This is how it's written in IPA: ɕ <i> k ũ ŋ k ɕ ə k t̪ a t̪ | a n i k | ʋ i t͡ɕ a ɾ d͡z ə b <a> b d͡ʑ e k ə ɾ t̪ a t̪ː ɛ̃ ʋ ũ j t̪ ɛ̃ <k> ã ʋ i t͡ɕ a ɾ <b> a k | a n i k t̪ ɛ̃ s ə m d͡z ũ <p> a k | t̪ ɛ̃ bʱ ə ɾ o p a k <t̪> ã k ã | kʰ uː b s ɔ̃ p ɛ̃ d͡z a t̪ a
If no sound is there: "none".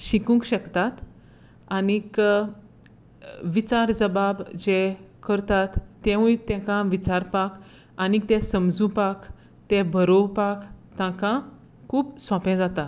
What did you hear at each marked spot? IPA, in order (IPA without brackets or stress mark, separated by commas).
i, a, k, p, p, t̪